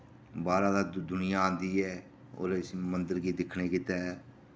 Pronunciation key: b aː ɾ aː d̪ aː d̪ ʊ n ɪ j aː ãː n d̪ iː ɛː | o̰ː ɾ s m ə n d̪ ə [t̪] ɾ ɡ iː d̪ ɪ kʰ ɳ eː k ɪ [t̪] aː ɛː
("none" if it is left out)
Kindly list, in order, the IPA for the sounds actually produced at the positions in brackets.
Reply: none, t̪

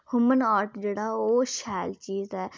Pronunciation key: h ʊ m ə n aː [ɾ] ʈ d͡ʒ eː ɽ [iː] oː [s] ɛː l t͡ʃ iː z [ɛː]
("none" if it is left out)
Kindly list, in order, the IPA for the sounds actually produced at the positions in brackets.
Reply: ɾ, aː, ʃ, ɛː

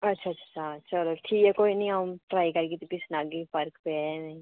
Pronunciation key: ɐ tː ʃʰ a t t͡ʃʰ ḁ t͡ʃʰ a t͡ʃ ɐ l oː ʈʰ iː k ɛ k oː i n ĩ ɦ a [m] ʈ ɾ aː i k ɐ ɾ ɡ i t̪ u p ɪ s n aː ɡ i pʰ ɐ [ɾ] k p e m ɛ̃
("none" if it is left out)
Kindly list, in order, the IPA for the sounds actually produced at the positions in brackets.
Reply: m, ɾ

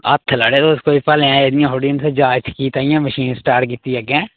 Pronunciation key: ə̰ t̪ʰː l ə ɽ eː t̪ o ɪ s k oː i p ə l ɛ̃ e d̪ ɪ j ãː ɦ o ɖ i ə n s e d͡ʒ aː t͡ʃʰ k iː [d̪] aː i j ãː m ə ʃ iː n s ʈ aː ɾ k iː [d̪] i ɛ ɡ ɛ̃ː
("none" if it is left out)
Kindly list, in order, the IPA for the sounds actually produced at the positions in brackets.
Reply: t̪, t̪

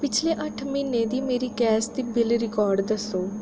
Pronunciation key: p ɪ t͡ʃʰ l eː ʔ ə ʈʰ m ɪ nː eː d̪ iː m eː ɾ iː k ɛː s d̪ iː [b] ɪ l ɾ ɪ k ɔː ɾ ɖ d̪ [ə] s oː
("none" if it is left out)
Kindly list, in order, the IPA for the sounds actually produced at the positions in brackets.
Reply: b, ə

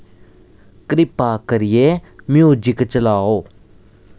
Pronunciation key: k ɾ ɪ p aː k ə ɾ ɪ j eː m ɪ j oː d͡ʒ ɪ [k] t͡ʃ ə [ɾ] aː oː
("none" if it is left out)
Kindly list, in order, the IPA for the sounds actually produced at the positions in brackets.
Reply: k, l

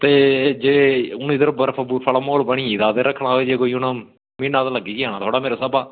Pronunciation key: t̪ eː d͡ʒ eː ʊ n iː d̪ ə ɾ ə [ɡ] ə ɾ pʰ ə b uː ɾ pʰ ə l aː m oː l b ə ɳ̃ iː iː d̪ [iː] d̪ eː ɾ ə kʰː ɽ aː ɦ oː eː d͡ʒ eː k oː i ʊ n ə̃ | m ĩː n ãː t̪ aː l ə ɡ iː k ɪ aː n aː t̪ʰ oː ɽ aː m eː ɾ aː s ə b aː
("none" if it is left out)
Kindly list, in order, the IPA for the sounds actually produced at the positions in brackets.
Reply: b, aː

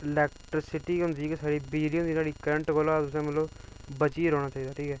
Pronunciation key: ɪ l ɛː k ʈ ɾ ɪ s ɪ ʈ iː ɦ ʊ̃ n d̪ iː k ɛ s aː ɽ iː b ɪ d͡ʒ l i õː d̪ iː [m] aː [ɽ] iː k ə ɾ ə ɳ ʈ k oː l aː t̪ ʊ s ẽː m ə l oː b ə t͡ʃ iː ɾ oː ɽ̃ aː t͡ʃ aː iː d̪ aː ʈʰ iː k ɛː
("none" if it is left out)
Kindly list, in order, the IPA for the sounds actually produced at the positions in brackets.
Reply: n, ɽ

